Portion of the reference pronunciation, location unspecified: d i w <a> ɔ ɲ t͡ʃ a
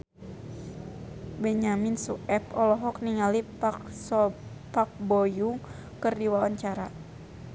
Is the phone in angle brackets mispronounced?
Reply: no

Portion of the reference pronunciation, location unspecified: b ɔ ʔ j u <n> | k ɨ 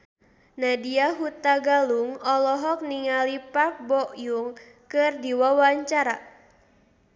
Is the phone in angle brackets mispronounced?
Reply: yes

